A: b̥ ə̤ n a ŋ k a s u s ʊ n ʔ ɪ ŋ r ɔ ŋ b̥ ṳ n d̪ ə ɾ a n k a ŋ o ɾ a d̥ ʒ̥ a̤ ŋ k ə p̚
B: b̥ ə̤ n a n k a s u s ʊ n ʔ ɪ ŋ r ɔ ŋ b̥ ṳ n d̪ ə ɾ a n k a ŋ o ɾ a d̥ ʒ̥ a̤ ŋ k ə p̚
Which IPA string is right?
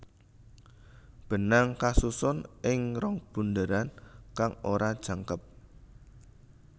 A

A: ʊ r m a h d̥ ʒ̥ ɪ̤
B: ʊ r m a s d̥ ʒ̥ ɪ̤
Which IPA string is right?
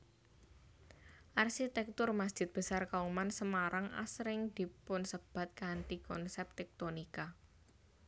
B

